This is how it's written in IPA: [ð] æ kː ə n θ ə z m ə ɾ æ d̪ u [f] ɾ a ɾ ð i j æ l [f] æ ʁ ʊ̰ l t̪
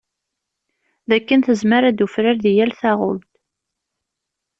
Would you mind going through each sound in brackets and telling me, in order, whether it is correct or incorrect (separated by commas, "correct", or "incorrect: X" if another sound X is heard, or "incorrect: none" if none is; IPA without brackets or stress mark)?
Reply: correct, correct, incorrect: θ